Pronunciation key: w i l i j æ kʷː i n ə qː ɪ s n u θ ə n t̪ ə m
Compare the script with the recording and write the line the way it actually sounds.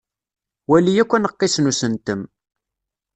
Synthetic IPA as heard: w æ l i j æ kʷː æ n ə qː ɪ s n u s ə n t̪ ə m

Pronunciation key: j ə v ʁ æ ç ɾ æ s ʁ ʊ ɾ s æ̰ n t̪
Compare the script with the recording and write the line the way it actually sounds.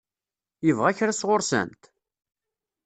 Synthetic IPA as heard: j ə v ʁ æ ç ɾ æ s ʁ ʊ ɾ s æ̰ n t̪

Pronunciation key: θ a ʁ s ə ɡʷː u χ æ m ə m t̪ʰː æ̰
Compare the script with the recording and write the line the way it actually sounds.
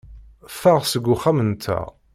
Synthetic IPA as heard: f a ʁ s ə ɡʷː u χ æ m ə n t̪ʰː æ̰

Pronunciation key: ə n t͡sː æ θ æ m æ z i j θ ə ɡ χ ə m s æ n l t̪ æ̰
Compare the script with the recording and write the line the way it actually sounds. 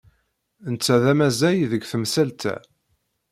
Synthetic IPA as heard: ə n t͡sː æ ð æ m æ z æ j ð ə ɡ θ ə m s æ l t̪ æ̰

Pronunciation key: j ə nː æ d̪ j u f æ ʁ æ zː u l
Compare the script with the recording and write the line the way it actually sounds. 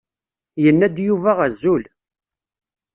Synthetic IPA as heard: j ə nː æ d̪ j u v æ ʁ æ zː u l

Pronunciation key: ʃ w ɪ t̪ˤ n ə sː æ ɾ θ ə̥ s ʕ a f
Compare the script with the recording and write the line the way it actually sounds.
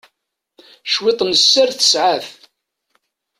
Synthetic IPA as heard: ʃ w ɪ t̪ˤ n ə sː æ ɾ θ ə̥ s ʕ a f

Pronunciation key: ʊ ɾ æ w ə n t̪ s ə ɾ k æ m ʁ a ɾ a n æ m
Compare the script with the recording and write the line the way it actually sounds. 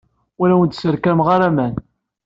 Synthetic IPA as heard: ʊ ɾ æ w ə n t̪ s ə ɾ k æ m ʁ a ɾ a m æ n

